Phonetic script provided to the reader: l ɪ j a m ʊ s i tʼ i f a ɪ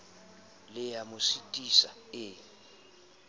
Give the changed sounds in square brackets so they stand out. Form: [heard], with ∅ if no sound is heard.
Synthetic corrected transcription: l ɪ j a m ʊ s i tʼ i [s] a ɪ

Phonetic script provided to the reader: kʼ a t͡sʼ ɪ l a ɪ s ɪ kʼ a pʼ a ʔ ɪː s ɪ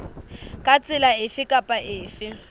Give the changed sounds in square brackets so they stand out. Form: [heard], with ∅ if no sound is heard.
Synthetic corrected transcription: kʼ a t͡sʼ ɪ l a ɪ [f] ɪ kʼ a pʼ a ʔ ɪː [f] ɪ

